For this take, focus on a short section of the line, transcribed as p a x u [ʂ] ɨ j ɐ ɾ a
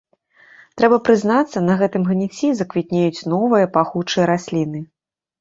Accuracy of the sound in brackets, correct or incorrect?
incorrect: t͡ʂ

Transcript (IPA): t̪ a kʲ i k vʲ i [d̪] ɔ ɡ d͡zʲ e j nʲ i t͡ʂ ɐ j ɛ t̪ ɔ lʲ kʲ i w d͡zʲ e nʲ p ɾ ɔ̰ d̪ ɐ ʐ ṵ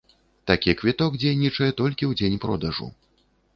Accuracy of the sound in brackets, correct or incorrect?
incorrect: t̪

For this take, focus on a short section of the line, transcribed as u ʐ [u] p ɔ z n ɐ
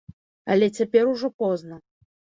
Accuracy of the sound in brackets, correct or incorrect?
incorrect: ɔ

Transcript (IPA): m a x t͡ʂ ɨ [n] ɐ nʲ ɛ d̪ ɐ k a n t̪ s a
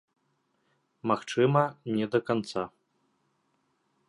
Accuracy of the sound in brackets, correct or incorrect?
incorrect: m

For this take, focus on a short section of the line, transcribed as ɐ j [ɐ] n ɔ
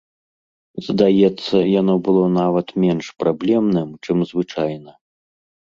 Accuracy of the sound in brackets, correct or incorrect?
incorrect: a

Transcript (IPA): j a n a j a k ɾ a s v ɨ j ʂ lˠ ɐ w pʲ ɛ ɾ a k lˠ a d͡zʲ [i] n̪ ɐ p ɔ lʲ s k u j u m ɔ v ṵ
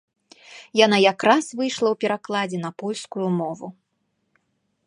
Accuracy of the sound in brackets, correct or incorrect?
incorrect: ɛ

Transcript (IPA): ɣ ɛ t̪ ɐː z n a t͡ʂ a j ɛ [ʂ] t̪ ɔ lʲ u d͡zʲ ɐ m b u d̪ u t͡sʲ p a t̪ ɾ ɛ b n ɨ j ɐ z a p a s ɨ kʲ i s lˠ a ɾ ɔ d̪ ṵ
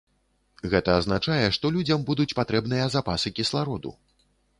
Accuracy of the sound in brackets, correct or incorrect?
correct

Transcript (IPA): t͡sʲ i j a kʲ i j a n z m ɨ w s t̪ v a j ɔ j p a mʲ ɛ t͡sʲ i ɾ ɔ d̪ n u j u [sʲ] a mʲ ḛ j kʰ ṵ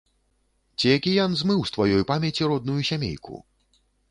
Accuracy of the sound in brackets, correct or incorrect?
correct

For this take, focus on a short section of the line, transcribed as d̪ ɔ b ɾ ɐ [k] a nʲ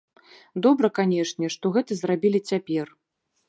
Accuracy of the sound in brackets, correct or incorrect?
correct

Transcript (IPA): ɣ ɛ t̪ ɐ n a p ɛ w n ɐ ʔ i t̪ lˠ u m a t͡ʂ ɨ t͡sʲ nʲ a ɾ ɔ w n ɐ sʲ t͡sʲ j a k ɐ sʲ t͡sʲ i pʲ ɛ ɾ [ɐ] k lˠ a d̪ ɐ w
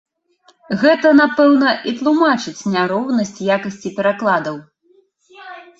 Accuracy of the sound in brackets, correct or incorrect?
incorrect: a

